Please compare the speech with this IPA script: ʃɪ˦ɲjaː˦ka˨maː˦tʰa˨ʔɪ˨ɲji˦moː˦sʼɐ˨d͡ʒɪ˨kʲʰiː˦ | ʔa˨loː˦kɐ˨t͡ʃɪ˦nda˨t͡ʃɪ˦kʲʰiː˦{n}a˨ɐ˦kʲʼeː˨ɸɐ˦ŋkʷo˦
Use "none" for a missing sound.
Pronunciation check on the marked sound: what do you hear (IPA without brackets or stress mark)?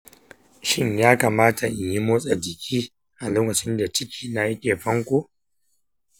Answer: n